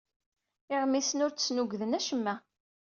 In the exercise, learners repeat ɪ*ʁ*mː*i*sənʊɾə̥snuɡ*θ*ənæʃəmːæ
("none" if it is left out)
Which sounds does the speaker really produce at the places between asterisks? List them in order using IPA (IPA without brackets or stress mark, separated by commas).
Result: ʁ, i, ð